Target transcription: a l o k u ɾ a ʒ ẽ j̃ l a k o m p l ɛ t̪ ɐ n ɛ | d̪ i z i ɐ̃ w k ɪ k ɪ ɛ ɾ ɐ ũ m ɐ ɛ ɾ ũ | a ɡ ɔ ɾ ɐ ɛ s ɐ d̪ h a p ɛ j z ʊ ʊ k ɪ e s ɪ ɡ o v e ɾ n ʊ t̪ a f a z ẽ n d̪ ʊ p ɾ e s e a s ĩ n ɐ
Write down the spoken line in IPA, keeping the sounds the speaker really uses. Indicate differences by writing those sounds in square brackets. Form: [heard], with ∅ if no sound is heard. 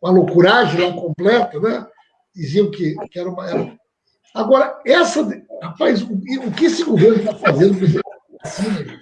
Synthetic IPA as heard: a l o k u ɾ a ʒ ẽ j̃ l a k [õ] m p l ɛ t̪ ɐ n ɛ | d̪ i z i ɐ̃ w k ɪ k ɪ ɛ ɾ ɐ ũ m ɐ ɛ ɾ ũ | a ɡ ɔ ɾ ɐ ɛ s ɐ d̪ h a p [a] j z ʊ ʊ k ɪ e s ɪ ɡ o v e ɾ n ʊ t̪ a f a z ẽ n d̪ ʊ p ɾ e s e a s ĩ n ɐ